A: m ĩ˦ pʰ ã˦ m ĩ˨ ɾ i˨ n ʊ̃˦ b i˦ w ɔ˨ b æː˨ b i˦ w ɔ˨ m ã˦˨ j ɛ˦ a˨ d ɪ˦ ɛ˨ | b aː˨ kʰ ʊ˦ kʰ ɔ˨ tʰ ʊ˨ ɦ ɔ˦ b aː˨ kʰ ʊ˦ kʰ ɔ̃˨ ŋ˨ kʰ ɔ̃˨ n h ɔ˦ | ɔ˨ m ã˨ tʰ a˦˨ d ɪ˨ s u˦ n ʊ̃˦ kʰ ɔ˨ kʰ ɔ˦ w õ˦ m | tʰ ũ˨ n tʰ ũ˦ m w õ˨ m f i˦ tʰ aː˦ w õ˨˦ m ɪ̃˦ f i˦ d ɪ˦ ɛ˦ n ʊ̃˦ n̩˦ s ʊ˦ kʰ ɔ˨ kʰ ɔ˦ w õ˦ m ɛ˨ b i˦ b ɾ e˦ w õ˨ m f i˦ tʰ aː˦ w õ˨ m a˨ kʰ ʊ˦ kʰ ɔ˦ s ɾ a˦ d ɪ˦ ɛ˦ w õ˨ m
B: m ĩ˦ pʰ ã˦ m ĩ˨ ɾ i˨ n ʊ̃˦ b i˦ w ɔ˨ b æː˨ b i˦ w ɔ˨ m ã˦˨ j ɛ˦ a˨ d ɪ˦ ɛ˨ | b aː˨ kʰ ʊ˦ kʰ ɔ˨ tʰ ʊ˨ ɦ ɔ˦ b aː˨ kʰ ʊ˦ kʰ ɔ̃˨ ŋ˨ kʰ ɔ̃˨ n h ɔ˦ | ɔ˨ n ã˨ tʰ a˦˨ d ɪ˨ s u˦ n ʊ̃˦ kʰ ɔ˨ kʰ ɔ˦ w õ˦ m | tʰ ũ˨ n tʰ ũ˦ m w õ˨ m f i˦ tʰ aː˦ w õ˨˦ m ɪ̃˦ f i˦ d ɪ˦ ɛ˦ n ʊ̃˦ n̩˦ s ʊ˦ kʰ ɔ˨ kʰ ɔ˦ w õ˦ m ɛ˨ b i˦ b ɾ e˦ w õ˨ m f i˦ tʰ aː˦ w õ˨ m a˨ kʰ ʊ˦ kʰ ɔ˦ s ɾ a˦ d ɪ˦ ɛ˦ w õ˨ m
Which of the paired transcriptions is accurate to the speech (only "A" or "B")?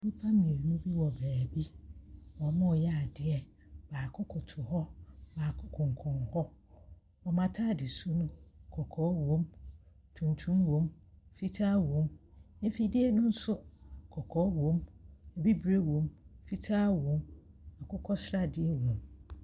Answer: A